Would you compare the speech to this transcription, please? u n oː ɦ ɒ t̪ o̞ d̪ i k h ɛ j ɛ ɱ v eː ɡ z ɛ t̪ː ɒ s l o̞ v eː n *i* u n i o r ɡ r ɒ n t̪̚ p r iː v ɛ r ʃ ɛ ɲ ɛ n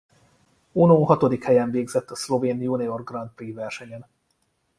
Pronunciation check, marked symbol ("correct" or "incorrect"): incorrect